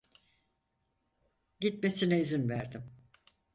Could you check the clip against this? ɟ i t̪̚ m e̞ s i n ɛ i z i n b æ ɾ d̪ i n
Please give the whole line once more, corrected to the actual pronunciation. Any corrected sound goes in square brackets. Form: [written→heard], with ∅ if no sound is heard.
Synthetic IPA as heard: ɟ i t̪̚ m e̞ s i n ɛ i z i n [b→v] æ ɾ d̪ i [n→m]